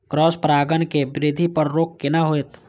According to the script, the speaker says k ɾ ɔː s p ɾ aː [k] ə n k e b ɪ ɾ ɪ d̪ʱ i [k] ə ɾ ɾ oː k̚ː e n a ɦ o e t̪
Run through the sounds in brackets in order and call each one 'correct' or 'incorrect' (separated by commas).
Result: incorrect, incorrect